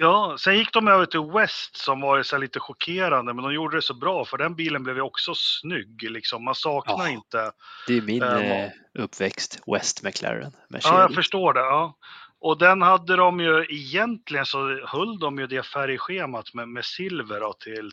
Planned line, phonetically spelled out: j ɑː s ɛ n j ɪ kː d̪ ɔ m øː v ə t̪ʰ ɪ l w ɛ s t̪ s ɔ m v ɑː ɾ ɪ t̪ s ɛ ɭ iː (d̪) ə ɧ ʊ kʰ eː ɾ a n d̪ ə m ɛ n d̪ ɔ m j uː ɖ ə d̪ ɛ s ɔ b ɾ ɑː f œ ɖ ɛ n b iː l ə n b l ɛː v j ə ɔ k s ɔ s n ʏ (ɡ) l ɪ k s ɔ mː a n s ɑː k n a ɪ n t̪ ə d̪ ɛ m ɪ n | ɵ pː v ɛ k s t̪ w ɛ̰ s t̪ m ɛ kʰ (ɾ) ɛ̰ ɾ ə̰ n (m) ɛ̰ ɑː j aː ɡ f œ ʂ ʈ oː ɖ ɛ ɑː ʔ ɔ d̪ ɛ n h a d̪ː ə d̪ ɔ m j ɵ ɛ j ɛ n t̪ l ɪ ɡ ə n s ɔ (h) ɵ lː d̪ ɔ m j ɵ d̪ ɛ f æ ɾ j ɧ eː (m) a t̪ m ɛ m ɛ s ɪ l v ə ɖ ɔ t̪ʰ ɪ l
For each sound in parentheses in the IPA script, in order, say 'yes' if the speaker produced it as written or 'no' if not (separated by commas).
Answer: no, no, no, yes, yes, yes